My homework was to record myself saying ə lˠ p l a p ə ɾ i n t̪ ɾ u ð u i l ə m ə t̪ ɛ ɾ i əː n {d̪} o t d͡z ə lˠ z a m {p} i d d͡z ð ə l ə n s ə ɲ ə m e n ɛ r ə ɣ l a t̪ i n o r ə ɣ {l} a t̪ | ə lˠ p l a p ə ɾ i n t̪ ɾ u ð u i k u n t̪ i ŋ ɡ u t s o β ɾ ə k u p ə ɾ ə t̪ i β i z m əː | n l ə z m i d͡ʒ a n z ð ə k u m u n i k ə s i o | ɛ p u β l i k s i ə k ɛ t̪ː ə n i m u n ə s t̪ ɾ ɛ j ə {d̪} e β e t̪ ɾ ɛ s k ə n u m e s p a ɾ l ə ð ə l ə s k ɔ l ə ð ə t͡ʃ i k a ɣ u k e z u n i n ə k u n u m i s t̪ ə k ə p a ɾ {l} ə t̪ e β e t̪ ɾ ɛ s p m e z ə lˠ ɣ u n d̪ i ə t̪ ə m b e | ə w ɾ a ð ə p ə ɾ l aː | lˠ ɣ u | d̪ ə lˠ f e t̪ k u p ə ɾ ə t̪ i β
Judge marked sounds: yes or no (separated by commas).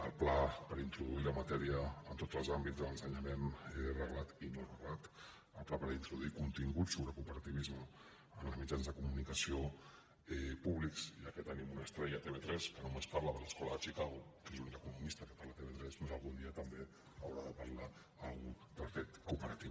no, no, yes, no, yes